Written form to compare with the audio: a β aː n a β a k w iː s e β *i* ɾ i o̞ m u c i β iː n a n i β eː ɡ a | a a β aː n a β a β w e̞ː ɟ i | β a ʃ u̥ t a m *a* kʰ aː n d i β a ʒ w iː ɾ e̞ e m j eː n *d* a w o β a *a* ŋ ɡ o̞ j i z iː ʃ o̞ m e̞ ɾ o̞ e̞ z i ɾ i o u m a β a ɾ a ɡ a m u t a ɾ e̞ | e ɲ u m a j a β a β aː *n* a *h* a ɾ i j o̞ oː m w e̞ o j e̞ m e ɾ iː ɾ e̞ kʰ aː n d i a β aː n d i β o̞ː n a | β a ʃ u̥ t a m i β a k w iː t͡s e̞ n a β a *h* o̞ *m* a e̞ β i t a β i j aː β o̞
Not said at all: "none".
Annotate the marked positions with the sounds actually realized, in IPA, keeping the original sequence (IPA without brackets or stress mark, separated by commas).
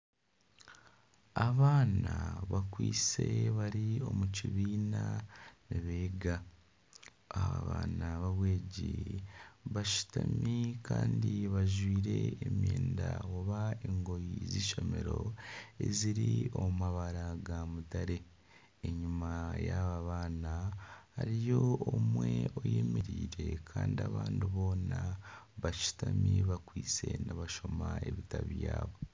a, i, d, e, n, h, ʃ, m